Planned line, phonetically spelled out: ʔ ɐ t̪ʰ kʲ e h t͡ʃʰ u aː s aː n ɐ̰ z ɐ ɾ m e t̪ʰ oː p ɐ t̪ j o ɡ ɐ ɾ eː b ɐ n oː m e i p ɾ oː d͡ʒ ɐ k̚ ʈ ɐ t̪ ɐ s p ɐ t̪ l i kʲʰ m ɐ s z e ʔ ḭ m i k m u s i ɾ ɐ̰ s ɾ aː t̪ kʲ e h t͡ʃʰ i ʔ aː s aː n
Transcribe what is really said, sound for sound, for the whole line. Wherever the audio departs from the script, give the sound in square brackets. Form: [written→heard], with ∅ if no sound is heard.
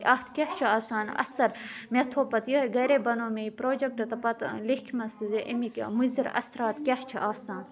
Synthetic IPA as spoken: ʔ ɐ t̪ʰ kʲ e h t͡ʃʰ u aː s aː n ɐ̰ [z→s] ɐ ɾ m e t̪ʰ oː p ɐ t̪ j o ɡ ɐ ɾ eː b ɐ n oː m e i p ɾ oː d͡ʒ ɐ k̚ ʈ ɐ t̪ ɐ [s→∅] p ɐ t̪ l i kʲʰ m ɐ s z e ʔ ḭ m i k m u [s→z] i ɾ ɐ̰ s ɾ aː t̪ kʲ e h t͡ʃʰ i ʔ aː s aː n